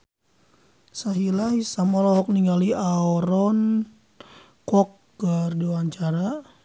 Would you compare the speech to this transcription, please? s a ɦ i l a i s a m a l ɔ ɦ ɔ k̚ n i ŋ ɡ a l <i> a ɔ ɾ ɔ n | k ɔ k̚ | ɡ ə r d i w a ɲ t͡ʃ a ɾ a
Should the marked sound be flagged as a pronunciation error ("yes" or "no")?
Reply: no